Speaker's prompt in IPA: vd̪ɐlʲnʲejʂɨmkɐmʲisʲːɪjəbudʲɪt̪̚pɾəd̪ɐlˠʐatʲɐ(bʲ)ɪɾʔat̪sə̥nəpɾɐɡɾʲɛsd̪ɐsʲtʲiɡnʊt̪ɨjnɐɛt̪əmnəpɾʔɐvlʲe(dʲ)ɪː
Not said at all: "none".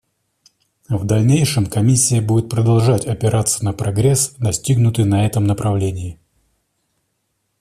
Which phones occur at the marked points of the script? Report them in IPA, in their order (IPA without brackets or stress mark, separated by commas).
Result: pʲ, nʲ